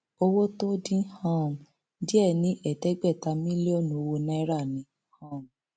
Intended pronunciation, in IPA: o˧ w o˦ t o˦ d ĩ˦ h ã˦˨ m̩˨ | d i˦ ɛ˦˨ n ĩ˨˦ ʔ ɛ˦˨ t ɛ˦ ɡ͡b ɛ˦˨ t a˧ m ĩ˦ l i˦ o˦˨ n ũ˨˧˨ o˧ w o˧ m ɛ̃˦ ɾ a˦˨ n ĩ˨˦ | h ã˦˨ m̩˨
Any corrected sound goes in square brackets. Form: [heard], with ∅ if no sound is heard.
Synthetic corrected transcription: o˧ w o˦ t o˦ d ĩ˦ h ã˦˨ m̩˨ | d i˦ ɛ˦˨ n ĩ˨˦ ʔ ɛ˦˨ t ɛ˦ ɡ͡b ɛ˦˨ t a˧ m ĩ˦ l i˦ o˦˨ n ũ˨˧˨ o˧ w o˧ [n] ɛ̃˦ ɾ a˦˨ n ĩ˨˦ | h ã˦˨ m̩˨